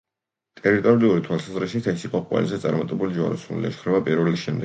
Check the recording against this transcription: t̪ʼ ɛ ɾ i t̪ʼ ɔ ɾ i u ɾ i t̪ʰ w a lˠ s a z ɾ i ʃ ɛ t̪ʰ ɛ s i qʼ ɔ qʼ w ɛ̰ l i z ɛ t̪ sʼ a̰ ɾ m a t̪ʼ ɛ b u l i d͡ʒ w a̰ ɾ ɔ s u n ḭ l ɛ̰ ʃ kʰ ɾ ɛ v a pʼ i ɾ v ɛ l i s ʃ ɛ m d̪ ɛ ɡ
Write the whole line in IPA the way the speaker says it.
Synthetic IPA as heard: t̪ʼ ɛ ɾ i t̪ʼ ɔ ɾ i u ɾ i t̪ʰ w a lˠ s a z ɾ i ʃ i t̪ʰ ɛ s i qʼ ɔ qʼ w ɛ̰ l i z ɛ t̪ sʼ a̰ ɾ m a t̪ʼ ɛ b u l i d͡ʒ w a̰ ɾ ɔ s u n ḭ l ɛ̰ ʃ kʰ ɾ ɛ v a pʼ i ɾ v ɛ l i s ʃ ɛ m d̪ ɛ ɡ